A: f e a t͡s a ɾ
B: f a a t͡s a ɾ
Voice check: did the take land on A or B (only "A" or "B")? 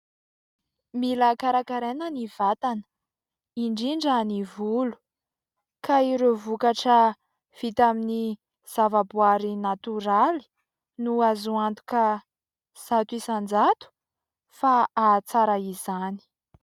B